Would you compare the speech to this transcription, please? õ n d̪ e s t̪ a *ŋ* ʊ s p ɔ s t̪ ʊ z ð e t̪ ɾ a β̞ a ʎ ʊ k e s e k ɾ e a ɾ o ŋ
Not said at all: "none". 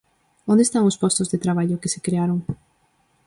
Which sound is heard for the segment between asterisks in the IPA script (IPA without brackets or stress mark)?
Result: ŋ